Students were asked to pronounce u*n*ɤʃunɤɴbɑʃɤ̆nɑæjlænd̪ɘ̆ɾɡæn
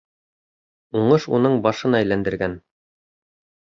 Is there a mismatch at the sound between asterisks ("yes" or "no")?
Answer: yes